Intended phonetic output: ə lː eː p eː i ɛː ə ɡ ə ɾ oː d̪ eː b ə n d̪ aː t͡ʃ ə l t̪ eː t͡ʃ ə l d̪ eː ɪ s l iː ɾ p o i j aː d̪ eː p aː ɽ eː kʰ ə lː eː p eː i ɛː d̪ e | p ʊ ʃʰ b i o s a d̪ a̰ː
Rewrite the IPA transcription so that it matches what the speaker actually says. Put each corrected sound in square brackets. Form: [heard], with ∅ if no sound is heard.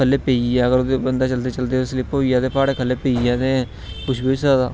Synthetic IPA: ə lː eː p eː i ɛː ə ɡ ə ɾ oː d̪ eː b ə n d̪ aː t͡ʃ ə l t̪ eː t͡ʃ ə l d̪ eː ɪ s l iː [∅] p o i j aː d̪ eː p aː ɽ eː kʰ ə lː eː p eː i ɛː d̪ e | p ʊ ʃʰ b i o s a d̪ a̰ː